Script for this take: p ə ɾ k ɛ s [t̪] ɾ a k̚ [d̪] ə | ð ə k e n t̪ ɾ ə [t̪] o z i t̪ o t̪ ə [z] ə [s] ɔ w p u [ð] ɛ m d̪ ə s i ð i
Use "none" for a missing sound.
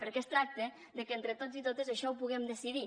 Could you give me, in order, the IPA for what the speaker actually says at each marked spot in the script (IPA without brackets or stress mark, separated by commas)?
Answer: t̪, t̪, t̪, z, ʃ, ɣ